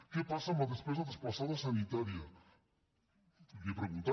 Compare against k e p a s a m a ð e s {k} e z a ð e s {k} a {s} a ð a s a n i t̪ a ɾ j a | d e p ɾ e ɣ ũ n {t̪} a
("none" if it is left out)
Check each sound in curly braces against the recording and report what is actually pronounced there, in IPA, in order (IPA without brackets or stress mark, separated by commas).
p, p, s, t̪